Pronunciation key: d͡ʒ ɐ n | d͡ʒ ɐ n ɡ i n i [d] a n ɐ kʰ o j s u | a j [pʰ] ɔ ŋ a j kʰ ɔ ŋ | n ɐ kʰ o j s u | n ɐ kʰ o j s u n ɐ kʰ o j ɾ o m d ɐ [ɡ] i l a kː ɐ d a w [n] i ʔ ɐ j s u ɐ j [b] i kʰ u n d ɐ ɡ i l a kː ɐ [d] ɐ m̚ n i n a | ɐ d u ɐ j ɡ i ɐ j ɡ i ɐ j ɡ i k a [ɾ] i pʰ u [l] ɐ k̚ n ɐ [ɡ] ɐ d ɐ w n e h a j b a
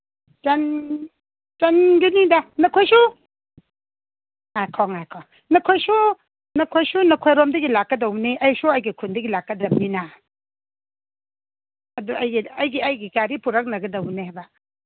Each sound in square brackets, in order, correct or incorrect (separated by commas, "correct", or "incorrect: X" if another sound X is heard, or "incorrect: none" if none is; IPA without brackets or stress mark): correct, incorrect: kʰ, correct, correct, incorrect: ɡ, correct, correct, incorrect: ɾ, correct